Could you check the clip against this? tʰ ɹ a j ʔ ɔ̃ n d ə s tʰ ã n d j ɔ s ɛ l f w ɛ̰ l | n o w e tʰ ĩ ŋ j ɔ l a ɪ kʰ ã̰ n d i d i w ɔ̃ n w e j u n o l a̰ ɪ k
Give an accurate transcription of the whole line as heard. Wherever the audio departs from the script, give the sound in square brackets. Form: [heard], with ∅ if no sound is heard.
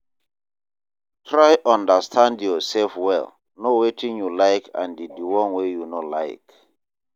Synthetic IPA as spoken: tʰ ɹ a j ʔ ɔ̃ n d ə s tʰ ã n d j ɔ s ɛ l f w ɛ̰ l | n o w e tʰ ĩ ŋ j [u] l a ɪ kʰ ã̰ n d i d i w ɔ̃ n w e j u n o l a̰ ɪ k